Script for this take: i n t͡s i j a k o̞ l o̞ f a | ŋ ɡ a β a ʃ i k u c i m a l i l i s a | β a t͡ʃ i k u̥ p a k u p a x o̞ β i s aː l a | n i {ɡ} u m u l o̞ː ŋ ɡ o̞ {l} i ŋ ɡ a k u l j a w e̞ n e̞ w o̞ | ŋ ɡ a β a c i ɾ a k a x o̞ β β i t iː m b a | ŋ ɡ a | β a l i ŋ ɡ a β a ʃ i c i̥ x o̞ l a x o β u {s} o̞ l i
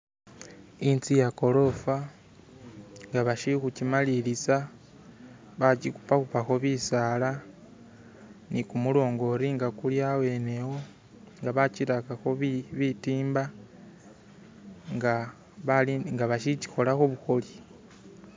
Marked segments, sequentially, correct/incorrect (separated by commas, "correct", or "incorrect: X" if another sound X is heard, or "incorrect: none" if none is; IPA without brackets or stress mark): incorrect: k, incorrect: ɾ, incorrect: x